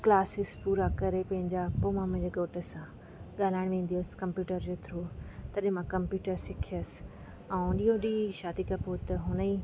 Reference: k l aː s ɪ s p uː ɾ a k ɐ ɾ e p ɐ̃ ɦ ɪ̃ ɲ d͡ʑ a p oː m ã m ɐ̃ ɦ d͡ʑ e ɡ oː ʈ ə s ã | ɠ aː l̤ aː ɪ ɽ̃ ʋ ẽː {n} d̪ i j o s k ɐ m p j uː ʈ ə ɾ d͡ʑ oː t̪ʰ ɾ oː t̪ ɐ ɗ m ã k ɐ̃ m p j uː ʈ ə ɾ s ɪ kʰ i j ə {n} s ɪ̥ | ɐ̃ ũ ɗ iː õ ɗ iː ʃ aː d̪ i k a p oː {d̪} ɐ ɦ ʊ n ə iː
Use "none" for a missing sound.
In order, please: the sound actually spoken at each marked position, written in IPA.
n, none, t̪

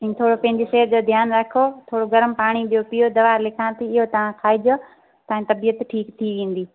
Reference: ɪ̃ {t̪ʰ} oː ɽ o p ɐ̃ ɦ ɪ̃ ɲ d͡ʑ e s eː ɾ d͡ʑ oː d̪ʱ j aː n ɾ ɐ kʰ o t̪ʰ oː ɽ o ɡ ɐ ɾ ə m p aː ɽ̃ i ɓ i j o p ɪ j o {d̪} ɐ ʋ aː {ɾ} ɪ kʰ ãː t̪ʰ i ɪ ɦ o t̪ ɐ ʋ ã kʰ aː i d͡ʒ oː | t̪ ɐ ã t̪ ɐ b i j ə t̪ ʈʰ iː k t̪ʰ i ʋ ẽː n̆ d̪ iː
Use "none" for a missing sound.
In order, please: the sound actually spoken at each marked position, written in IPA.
t̪ʰ, d̪, l

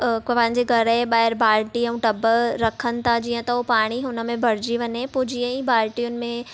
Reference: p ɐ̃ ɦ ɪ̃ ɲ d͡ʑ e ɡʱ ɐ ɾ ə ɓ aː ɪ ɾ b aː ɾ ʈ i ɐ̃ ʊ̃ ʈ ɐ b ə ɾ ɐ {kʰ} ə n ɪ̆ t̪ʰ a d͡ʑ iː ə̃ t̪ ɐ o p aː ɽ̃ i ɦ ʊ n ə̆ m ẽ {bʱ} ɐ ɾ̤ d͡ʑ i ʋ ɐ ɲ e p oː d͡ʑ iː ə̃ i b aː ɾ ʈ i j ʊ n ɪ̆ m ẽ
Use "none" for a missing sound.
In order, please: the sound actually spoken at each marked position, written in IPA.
kʰ, bʱ

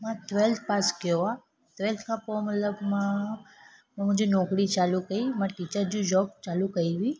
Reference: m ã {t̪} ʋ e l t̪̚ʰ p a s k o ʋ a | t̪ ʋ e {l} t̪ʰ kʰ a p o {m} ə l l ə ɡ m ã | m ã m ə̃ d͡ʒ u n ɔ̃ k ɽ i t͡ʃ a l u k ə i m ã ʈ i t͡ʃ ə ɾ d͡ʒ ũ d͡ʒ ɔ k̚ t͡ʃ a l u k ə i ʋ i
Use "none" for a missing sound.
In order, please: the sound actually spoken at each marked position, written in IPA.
t̪, l, m

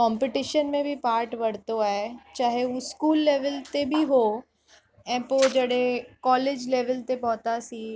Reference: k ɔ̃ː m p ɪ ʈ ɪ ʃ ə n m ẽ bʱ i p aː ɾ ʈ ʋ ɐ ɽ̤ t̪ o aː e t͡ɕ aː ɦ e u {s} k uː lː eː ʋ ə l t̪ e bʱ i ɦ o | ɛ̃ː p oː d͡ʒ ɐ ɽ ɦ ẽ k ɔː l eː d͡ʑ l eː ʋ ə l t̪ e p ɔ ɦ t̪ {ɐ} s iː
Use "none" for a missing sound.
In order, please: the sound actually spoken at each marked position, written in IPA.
s, a

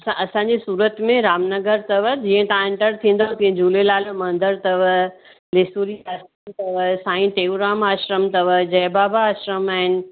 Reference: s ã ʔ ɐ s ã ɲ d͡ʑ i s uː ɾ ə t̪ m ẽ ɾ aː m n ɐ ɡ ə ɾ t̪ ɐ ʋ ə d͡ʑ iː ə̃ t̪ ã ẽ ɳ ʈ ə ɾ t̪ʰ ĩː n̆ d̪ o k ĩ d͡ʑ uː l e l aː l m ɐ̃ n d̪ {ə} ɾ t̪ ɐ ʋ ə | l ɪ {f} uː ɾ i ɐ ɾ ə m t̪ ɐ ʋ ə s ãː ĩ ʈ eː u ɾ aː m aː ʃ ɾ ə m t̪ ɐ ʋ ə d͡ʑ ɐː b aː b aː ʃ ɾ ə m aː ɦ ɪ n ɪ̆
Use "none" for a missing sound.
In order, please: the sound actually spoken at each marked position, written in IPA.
ə, s

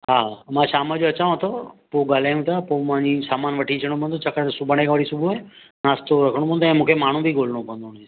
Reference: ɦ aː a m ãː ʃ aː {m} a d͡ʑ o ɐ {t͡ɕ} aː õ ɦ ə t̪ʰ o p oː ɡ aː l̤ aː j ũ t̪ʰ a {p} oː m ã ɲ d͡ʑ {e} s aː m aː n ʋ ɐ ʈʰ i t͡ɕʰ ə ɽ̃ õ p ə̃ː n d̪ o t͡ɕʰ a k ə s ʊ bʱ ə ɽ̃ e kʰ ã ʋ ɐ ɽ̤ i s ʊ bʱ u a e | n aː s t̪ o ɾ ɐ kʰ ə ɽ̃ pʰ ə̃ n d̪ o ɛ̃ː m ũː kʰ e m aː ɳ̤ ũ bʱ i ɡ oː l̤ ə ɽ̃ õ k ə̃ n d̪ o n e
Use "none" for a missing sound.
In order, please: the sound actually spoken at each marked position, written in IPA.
m, t͡ɕ, p, i

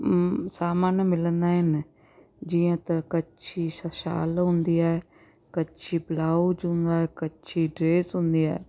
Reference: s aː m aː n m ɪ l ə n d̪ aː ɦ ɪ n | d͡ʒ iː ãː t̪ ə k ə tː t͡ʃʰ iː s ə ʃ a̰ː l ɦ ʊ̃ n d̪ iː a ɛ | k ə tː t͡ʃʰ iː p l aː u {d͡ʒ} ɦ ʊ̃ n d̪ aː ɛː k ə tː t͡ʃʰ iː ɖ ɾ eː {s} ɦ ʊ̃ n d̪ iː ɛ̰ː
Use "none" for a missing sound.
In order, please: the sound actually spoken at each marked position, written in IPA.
d͡ʒ, s

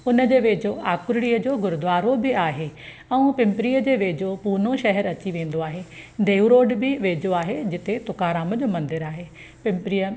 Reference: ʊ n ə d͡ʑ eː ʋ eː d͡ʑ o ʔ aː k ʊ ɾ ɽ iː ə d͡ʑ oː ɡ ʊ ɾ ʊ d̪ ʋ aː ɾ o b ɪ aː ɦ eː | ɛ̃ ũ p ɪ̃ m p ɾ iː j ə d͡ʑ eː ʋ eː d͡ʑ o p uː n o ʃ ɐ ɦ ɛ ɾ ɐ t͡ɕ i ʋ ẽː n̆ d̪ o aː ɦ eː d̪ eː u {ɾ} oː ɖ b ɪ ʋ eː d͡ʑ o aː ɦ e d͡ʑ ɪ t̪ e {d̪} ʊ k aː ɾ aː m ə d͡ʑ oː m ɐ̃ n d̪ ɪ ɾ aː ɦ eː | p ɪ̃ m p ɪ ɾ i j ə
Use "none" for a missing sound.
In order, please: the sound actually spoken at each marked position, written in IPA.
ɾ, t̪

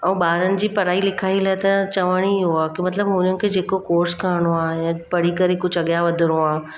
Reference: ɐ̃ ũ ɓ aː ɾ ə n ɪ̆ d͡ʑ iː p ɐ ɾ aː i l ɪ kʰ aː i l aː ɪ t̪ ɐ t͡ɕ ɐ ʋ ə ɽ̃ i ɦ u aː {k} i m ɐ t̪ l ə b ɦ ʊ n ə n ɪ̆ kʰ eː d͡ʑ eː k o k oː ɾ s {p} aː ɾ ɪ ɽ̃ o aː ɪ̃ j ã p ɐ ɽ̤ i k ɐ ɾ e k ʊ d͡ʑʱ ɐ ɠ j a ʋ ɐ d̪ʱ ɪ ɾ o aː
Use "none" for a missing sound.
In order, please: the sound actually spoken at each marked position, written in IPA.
k, k

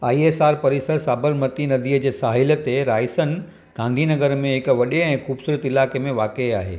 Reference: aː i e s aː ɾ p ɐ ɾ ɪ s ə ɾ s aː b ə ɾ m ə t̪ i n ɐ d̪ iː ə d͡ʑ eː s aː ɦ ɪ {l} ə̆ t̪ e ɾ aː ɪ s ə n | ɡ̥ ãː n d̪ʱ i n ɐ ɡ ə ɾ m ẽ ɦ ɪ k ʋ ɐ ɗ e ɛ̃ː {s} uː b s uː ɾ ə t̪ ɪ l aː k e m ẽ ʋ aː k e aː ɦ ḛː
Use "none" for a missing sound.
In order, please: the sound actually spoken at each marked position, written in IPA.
l, x

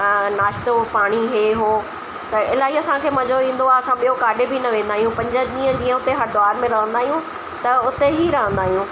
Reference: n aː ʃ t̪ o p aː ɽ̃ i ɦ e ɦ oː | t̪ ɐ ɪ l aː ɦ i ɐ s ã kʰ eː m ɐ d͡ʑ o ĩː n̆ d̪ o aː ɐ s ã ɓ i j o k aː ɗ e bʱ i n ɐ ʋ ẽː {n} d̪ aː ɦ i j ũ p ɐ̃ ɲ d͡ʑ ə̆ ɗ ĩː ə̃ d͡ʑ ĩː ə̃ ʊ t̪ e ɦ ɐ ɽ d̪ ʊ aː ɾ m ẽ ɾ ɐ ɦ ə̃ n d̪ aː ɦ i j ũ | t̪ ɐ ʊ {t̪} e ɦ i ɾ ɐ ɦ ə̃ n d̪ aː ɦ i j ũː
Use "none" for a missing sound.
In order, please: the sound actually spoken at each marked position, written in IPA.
n, t̪

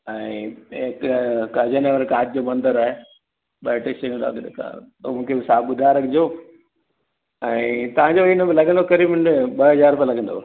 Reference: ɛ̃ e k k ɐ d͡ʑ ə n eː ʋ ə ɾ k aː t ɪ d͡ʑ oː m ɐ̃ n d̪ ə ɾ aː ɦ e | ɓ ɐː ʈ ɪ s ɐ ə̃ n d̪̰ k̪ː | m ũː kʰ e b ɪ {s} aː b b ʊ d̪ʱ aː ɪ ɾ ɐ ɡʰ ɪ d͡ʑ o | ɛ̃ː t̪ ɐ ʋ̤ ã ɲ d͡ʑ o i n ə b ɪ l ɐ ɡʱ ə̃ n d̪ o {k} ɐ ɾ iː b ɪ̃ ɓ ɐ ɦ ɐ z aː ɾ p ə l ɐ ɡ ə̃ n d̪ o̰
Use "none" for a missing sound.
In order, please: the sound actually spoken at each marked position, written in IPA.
s, k

